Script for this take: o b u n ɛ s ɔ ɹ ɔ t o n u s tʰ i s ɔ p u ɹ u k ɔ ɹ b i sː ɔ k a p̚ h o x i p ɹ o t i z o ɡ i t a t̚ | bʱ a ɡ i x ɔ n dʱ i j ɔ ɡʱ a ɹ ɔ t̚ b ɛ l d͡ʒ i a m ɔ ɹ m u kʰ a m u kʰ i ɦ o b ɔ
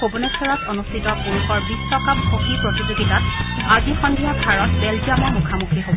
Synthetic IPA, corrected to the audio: o b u n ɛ s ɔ ɹ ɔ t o n u s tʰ i t ɔ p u ɹ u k ɔ ɹ b i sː ɔ k a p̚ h o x i p ɹ o t i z o ɡ i t a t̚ | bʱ a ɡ i x ɔ n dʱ i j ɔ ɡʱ a ɹ ɔ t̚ b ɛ l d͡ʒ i a m ɔ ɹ m u kʰ a m u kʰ i ɦ o b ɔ